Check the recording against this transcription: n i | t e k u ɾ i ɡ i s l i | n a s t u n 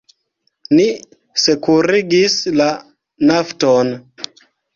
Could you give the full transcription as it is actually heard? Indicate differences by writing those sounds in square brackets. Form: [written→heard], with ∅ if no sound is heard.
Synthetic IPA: n i | [t→s] e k u ɾ i ɡ i s l [i→a] | n a [s→f] t [u→o] n